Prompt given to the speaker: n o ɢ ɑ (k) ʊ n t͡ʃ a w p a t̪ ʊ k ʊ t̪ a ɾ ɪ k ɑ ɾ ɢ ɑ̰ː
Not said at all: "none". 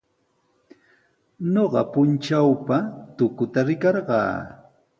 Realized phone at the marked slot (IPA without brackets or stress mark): p